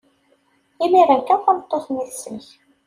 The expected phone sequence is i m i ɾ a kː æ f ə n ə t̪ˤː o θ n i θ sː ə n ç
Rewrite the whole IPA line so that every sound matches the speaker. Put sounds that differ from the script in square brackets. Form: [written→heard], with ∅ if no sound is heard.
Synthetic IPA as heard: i m i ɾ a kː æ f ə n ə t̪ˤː o θ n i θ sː ə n ç